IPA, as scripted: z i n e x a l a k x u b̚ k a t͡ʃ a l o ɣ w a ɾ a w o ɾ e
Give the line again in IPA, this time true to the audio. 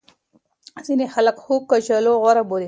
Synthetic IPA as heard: z i n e x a l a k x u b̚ k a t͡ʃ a l o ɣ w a ɾ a b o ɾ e